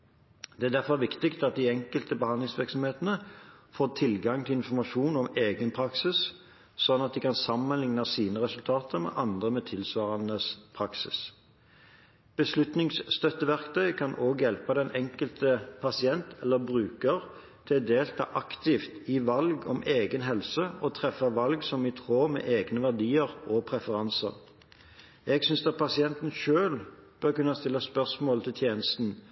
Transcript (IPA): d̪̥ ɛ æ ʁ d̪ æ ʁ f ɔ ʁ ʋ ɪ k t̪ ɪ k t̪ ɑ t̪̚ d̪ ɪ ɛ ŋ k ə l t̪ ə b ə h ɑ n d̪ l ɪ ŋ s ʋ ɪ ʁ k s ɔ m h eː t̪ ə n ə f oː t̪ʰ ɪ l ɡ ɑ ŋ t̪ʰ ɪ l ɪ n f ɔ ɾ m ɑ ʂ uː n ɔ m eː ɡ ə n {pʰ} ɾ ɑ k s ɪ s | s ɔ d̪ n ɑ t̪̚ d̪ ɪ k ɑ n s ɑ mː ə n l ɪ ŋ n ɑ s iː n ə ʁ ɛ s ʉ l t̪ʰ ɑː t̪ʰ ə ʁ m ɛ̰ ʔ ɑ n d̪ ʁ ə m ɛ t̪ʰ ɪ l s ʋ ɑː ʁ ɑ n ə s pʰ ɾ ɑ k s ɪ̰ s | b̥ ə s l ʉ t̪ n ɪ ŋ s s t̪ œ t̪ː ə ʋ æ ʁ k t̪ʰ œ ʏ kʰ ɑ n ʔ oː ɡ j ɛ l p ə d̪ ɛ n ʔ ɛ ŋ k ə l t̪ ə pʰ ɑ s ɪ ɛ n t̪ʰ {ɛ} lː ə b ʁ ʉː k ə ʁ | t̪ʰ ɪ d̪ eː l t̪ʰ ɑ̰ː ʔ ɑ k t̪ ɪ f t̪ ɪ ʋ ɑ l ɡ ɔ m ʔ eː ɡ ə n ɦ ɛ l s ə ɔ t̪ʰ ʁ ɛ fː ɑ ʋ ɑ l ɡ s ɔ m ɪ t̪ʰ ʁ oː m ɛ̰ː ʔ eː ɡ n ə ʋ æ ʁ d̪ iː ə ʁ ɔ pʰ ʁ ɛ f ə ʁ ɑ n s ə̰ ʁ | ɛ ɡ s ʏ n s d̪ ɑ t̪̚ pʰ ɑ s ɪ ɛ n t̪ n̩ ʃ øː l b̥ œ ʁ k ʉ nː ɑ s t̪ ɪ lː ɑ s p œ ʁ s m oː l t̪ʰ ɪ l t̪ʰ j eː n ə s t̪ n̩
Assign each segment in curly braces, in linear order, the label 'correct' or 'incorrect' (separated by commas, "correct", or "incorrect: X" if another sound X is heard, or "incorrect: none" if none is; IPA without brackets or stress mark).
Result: correct, correct